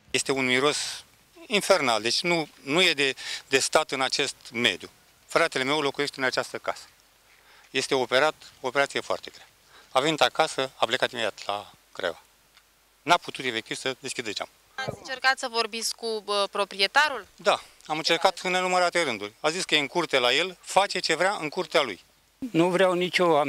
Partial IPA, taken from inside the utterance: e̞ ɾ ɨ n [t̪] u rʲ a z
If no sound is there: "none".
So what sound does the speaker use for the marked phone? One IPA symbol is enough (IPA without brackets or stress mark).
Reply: d̪